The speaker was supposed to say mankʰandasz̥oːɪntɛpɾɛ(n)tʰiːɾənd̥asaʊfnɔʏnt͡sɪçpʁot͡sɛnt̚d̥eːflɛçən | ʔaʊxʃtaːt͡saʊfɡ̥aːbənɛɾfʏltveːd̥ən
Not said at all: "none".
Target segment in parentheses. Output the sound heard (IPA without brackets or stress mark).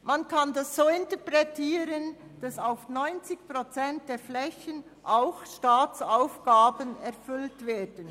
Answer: none